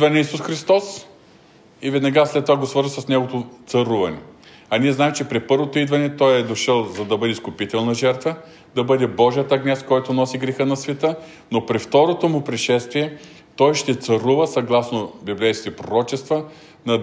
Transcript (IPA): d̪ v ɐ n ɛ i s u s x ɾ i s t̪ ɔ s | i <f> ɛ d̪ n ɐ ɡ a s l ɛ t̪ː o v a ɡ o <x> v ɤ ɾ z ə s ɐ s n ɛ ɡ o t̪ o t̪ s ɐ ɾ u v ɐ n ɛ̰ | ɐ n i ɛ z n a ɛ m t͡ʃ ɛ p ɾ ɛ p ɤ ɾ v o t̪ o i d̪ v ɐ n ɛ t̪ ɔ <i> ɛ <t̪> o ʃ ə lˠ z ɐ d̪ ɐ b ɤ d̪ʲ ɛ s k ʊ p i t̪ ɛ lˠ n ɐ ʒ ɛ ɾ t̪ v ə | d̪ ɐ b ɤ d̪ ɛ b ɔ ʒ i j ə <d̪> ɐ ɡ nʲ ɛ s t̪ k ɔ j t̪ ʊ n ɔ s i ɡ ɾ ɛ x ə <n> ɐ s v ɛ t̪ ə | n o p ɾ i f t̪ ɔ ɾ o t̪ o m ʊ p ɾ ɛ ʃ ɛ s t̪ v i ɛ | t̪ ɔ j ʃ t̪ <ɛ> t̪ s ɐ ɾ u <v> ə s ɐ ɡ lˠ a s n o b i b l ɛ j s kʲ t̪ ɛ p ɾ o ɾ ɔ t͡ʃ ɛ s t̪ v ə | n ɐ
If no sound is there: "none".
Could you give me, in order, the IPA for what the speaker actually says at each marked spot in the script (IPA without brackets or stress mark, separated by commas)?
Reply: v, s, j, d̪, t̪, n, ɛ, v